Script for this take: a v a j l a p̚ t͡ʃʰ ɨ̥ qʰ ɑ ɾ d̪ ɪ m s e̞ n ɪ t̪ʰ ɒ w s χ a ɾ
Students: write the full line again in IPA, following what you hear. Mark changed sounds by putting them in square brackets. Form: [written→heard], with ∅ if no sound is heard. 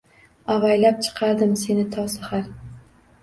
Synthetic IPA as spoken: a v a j l a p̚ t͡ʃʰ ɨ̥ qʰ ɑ ɾ d̪ ɪ m s e̞ n ɪ t̪ʰ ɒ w s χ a ɾ